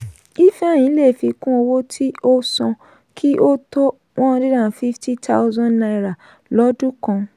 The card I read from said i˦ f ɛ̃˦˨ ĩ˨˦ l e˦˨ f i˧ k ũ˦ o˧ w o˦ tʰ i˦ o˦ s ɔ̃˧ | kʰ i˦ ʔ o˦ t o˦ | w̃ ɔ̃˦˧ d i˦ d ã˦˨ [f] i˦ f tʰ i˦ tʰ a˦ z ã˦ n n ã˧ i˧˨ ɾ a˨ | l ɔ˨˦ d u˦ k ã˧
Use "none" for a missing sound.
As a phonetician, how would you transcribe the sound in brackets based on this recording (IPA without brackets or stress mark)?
f